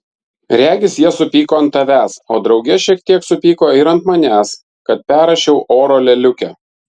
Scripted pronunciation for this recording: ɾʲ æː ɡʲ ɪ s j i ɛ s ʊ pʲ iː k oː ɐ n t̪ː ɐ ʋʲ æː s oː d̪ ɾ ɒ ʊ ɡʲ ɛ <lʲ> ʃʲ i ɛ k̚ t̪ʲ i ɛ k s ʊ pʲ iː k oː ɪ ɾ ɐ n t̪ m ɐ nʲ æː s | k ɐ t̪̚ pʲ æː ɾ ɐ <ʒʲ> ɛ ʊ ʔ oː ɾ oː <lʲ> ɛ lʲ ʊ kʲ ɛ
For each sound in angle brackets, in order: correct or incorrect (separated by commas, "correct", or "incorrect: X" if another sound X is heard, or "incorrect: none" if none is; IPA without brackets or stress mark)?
incorrect: none, incorrect: ʃʲ, correct